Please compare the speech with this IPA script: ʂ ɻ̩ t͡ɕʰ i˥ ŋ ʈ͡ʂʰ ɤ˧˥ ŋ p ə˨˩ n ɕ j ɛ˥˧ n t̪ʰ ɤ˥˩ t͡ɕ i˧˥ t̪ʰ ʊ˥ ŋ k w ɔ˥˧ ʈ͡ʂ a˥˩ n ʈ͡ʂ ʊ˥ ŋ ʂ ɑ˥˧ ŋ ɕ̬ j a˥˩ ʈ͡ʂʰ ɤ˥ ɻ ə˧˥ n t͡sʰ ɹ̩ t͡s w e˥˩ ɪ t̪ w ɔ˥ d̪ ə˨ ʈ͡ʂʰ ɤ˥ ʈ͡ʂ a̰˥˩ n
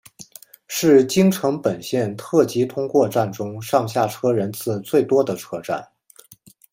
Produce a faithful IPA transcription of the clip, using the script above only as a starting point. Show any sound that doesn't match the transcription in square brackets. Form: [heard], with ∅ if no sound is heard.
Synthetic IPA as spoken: ʂ ɻ̩ [t͡ɕ] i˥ ŋ ʈ͡ʂʰ ɤ˧˥ ŋ p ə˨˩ n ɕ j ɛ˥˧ n t̪ʰ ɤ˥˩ t͡ɕ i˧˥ t̪ʰ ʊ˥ ŋ k w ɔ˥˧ ʈ͡ʂ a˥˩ n ʈ͡ʂ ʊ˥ ŋ ʂ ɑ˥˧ ŋ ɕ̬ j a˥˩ ʈ͡ʂʰ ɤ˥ ɻ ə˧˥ n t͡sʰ ɹ̩ t͡s w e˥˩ ɪ t̪ w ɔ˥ d̪ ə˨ ʈ͡ʂʰ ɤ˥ ʈ͡ʂ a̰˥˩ n